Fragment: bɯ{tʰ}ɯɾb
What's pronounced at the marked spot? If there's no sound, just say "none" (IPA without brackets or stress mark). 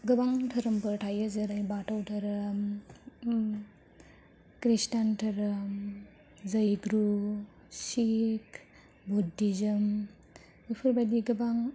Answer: pʰ